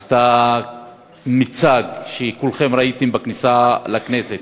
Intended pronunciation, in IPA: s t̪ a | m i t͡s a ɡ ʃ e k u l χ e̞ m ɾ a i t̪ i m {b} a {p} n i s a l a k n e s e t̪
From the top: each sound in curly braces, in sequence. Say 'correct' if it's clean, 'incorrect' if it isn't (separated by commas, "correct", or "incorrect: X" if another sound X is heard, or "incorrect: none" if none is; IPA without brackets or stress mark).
correct, incorrect: k